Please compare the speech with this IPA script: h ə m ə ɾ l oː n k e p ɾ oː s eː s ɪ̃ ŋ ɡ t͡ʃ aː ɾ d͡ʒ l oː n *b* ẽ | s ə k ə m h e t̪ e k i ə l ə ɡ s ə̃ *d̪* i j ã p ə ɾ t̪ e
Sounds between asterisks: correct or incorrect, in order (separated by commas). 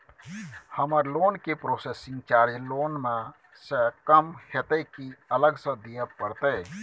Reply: incorrect, correct